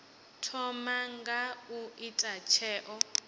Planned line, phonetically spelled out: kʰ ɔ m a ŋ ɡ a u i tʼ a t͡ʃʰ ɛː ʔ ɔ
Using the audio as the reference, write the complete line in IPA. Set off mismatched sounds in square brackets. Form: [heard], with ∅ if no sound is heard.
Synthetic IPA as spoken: [tʰ] ɔ m a ŋ ɡ a u i tʼ a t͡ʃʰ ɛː ʔ ɔ

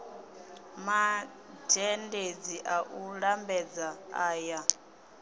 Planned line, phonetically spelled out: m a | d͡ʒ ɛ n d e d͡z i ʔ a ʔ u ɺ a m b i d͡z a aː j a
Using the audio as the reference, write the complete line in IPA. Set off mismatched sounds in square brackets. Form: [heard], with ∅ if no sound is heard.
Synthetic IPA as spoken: m a | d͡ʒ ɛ n d e d͡z i ʔ a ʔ u ɺ a m b [ɛ] d͡z a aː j a

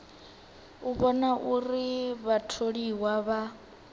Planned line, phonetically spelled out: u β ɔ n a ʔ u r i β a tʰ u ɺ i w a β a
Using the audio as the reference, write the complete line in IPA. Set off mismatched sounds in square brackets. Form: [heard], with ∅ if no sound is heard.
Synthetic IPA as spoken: u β ɔ n a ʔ u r i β a tʰ [o] ɺ i w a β a

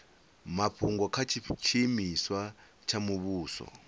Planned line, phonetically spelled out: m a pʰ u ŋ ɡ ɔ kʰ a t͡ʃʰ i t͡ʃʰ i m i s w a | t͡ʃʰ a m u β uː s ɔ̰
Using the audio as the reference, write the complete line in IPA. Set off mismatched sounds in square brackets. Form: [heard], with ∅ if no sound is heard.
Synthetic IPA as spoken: m a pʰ u ŋ ɡ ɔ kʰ a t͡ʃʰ i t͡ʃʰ i m i s w a | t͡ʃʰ a m u β uː s ɔ̰

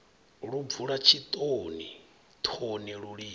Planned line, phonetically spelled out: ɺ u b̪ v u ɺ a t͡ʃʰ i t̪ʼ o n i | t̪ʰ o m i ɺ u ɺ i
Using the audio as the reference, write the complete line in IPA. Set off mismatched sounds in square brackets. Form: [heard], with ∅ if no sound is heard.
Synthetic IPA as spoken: ɺ u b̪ v u ɺ a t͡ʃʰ i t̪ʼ o n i | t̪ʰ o [n] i ɺ u ɺ i

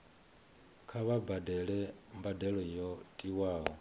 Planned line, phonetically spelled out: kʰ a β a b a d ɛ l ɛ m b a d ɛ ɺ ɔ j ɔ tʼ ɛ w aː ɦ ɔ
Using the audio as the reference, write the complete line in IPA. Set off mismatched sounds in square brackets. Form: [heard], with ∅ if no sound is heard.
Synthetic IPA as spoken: kʰ a β a b a d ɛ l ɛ m b a d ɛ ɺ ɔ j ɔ tʼ [i] w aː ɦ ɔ

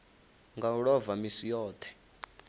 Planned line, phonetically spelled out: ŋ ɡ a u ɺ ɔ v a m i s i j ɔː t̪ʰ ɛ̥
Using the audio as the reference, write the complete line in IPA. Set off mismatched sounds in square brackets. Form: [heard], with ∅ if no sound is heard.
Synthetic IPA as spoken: ŋ ɡ a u ɺ ɔ v a m i s i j ɔː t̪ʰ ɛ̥

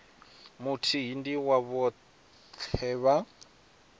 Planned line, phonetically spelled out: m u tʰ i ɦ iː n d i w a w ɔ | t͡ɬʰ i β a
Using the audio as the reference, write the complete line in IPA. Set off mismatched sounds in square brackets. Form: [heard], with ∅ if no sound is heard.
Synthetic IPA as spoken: m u tʰ i ɦ [i] n d i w a [β] ɔ | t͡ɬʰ [ɛ] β a

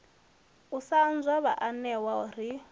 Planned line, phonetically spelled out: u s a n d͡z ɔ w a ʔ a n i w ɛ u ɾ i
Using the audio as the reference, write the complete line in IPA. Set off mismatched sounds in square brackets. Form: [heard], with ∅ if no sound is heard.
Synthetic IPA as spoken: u s a n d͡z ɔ [β] a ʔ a n [ɛ] w [a] u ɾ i

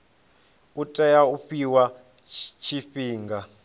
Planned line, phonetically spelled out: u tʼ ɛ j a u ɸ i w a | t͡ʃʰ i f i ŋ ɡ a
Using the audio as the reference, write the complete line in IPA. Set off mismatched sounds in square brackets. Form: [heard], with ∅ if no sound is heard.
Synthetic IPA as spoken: u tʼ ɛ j a u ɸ i w a | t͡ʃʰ i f [iː] ŋ ɡ a

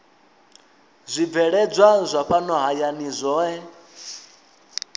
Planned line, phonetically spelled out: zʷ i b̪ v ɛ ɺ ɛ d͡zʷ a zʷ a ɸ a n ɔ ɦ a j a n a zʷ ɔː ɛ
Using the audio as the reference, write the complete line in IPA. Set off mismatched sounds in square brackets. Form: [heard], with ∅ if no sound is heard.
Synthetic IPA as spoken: zʷ i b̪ v ɛ ɺ ɛ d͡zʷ a zʷ a ɸ a n ɔ ɦ a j a n [i] zʷ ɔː ɛ

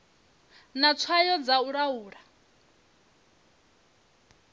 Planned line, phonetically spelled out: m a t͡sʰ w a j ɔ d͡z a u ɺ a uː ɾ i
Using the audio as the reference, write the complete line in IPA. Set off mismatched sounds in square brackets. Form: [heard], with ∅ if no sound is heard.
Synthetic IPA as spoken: [n] a t͡sʰ w a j ɔ d͡z a u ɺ a uː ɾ [a]

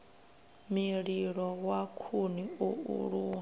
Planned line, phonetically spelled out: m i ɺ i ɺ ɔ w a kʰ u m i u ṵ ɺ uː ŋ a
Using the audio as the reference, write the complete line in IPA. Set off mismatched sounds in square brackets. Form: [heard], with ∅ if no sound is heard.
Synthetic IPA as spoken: m i ɺ i ɺ ɔ w a kʰ u [n] i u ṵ ɺ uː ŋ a

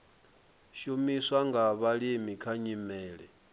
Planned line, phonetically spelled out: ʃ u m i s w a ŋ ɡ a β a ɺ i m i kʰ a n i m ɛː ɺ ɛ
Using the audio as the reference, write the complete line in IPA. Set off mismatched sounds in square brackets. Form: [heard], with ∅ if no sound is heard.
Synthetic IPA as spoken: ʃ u m i s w a ŋ ɡ a β a ɺ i m i kʰ a [ɲ] i m ɛː ɺ ɛ

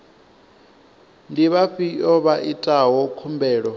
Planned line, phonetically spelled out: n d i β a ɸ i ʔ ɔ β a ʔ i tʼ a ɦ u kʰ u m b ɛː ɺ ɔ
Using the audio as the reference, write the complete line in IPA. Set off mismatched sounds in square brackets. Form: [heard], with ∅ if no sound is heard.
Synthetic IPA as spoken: n d i β a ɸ i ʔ ɔ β a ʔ i tʼ a ɦ [ɔ] kʰ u m b ɛː ɺ ɔ

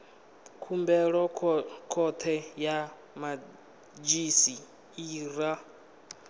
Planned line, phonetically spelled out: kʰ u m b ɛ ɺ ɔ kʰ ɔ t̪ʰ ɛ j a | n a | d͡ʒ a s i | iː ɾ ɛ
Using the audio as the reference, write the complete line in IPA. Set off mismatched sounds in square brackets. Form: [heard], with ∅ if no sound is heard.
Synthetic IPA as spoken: kʰ u m b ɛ ɺ ɔ kʰ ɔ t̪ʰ ɛ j a | [m] a | d͡ʒ [i] s i | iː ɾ [a]

